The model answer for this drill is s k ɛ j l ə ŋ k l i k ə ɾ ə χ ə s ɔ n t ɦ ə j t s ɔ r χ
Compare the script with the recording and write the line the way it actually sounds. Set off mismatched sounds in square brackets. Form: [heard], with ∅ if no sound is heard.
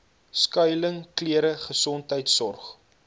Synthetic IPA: s k [œ] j l ə ŋ k l i [∅] ə ɾ ə χ ə s ɔ n t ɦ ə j t s ɔ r χ